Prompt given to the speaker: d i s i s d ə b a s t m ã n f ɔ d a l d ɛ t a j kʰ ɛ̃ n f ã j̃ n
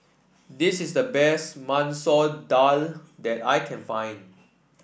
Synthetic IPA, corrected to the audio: d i s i s d ə b ɛ s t m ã n s ɔ d a l d ɛ t a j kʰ ɛ̃ n f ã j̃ n